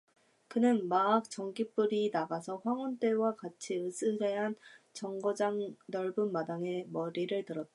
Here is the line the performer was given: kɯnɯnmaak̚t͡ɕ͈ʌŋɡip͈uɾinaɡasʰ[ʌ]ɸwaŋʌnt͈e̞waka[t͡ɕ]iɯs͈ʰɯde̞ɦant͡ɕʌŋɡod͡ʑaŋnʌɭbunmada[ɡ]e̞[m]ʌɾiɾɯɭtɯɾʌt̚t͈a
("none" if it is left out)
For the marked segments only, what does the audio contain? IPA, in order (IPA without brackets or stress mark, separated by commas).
ʌ, t͡ɕʰ, ŋ, m